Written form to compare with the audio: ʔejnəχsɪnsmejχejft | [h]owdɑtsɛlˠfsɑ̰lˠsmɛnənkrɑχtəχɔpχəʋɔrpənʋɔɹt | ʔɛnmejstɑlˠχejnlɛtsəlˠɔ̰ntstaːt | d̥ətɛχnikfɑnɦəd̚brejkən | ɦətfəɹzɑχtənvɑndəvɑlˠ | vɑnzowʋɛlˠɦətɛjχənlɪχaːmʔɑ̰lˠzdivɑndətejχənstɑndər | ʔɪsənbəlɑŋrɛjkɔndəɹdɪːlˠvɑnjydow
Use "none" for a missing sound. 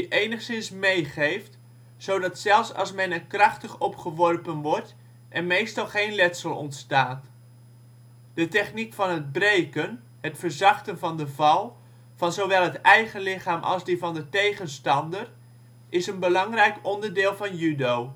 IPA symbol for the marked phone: s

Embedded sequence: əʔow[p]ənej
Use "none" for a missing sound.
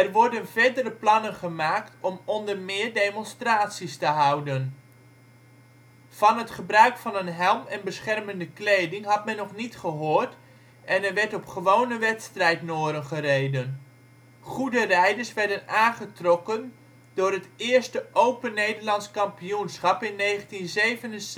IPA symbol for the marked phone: p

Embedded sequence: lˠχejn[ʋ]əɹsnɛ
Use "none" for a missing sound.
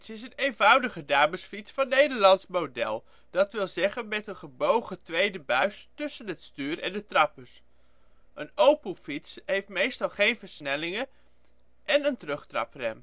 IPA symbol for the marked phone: v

